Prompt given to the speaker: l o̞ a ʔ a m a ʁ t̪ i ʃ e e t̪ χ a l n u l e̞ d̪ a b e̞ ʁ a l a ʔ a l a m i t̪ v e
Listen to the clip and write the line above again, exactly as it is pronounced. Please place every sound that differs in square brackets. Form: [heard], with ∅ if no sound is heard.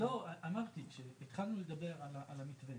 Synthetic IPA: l o̞ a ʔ a m a ʁ t̪ i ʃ e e t̪ χ a l n u l e̞ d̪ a b e̞ ʁ a l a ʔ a l a m i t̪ v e